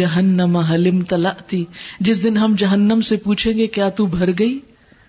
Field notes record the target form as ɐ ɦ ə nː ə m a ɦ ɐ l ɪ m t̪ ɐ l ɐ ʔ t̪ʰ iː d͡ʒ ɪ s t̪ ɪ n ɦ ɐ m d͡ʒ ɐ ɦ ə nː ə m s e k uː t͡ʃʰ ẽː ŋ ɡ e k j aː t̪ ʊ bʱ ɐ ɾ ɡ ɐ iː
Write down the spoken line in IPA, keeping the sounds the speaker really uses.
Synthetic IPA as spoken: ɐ ɦ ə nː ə m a ɦ ɐ l ɪ m t̪ ɐ l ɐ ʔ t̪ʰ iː d͡ʒ ɪ s d̪ ɪ n ɦ ɐ m d͡ʒ ɐ ɦ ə nː ə m s e p uː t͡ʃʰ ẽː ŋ ɡ e k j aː t̪ u bʱ ɐ ɾ ɡ ɐ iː